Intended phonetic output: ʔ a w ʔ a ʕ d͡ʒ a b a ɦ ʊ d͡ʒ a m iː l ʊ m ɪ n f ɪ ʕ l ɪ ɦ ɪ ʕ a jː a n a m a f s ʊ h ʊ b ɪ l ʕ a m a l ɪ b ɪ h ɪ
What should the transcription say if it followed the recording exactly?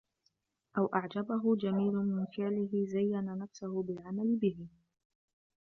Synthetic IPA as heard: ʔ a w ʔ a ʕ d͡ʒ a b a ɦ ʊ d͡ʒ a m iː l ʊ m ɪ n f ɪ ʕ l ɪ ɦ ɪ z a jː a n a n a f s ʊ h ʊ b ɪ l ʕ a m a l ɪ b ɪ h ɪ